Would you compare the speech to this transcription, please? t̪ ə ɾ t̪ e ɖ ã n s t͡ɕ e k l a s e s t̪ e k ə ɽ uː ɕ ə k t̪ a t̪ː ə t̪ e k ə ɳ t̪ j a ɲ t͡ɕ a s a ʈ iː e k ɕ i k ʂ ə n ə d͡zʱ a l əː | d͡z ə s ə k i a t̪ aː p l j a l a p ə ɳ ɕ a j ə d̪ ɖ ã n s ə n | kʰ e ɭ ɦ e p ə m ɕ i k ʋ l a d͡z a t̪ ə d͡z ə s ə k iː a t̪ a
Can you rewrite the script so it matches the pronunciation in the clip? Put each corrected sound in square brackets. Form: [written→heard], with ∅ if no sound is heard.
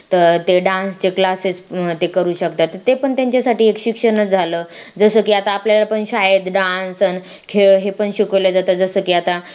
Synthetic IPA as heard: t̪ ə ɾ t̪ e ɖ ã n s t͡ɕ e k l a s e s t̪ e k ə [ɽ→ɾ] uː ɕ ə k t̪ a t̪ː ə t̪ e [k→p] ə ɳ t̪ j a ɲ t͡ɕ a s a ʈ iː e k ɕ i k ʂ ə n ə d͡zʱ a l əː | d͡z ə s ə k i a t̪ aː p l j a l a p ə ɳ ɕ a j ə d̪ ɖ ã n s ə n | kʰ e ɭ ɦ e p ə [m→ɳ] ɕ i k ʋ l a d͡z a t̪ ə d͡z ə s ə k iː a t̪ a